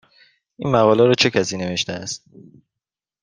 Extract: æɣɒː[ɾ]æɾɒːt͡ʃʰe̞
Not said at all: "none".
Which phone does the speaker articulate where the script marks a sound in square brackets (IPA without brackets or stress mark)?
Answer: l